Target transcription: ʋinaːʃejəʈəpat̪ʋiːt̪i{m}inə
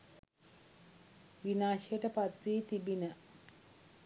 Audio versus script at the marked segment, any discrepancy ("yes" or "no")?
yes